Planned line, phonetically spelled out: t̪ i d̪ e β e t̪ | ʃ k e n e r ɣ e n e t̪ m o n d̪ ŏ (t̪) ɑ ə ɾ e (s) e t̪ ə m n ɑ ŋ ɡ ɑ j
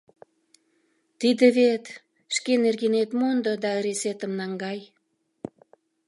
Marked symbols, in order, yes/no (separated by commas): no, yes